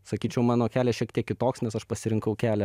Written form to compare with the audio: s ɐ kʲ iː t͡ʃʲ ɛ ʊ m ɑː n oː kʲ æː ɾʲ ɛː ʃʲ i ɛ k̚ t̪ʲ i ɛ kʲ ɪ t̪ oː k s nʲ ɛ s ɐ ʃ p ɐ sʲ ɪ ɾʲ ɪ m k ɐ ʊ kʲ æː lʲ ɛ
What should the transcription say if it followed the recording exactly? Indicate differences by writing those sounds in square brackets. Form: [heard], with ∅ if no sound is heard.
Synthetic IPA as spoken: s ɐ kʲ iː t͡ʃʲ ɛ ʊ m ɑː n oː kʲ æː [lʲ] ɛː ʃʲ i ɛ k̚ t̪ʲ i ɛ kʲ ɪ t̪ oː k s nʲ ɛ s ɐ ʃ p ɐ sʲ ɪ ɾʲ ɪ [ŋ] k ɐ ʊ kʲ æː lʲ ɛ